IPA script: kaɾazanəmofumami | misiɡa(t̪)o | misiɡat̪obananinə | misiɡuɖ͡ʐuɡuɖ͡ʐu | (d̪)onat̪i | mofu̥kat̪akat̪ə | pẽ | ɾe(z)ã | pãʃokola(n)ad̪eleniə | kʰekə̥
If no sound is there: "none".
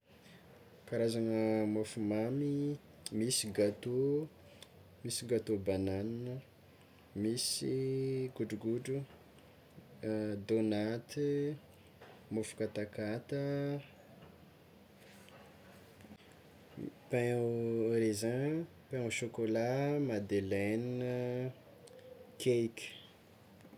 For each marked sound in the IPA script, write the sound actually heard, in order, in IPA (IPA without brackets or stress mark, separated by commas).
t̪, d̪, z, m